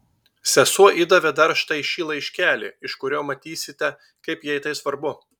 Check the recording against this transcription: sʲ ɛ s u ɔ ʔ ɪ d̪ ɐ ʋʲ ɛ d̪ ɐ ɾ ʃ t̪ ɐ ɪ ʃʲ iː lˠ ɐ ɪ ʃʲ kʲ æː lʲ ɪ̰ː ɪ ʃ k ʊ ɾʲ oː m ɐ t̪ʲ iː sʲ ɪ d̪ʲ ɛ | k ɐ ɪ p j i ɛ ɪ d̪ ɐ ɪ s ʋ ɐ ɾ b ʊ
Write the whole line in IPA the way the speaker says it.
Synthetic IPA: sʲ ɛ s u ɔ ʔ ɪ d̪ ɐ ʋʲ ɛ d̪ ɐ ɾ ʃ t̪ ɐ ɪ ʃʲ iː lˠ ɐ ɪ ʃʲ kʲ æː lʲ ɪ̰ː ɪ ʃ k ʊ ɾʲ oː m ɐ t̪ʲ iː sʲ ɪ t̪ʲ ɛ | k ɐ ɪ p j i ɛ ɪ t̪ ɐ ɪ s ʋ ɐ ɾ b ʊ